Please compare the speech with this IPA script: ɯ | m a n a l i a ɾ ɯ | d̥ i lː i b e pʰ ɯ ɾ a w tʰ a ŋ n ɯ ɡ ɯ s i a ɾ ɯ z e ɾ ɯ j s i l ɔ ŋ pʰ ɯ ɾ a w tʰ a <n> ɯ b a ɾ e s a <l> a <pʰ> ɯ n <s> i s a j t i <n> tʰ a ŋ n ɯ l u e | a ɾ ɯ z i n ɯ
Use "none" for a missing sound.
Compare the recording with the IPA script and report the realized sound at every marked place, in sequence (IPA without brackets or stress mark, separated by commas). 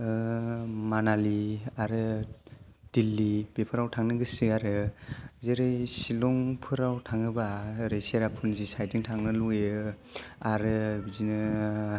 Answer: ŋ, ɾ, pʰ, z, ŋ